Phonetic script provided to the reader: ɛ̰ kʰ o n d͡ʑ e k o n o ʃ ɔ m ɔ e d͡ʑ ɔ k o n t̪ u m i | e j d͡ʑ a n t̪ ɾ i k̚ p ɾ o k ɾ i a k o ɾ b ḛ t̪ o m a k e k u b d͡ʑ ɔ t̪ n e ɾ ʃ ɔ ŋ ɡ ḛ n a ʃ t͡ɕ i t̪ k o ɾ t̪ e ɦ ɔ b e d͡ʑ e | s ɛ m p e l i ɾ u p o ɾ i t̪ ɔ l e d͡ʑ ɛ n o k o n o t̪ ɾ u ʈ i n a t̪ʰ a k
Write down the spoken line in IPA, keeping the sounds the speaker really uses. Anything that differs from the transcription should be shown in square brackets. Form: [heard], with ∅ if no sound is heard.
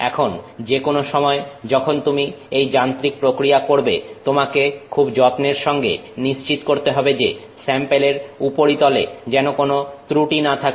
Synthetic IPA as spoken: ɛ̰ kʰ o n d͡ʑ e k o n o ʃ ɔ m ɔ e d͡ʑ ɔ [kʰ] o n t̪ u m i | e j d͡ʑ a n t̪ ɾ i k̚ p ɾ o k ɾ i a k o ɾ b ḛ t̪ o m a k e [kʰ] u b d͡ʑ ɔ t̪ n e ɾ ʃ ɔ ŋ ɡ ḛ n [i] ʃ t͡ɕ i t̪ k o ɾ t̪ e ɦ ɔ b e d͡ʑ e | s ɛ m p e l [e] ɾ u p o ɾ i t̪ ɔ l e d͡ʑ ɛ n o k o n o t̪ ɾ u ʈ i n a t̪ʰ a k